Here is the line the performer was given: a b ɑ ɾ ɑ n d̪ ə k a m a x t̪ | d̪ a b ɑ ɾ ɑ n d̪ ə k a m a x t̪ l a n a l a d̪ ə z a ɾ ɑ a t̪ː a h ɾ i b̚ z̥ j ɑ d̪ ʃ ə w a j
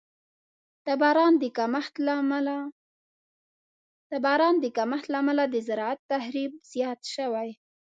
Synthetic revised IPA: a b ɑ ɾ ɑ n d̪ ə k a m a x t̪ | t̪ a b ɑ ɾ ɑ n d̪ ə k a m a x t̪ l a m a l a d̪ ə z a ɾ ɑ a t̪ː a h ɾ i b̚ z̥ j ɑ t̪ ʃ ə w a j